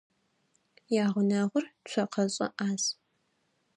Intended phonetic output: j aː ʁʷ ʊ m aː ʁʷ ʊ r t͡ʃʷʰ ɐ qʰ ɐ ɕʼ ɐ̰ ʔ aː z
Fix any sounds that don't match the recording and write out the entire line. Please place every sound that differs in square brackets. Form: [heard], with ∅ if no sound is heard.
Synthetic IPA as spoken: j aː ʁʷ ʊ [n] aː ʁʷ ʊ r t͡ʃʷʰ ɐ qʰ ɐ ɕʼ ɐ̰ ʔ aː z